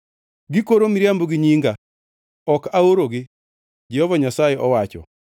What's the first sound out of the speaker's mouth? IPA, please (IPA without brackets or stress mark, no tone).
ɡ